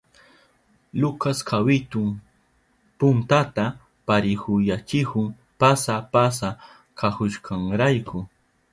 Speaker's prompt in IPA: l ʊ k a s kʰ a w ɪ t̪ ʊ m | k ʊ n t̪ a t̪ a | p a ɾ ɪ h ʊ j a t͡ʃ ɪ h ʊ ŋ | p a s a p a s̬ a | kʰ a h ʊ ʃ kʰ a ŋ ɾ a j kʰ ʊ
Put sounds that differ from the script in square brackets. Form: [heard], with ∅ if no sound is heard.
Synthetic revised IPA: l ʊ k a s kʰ a w ɪ t̪ ʊ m | [p] ʊ n t̪ a t̪ a | p a ɾ ɪ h ʊ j a t͡ʃ ɪ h ʊ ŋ | p a s a p a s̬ a | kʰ a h ʊ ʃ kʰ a ŋ ɾ a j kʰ ʊ